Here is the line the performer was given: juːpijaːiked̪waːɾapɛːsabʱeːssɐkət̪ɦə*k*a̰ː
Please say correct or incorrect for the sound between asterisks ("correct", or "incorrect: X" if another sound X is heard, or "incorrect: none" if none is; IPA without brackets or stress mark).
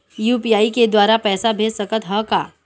correct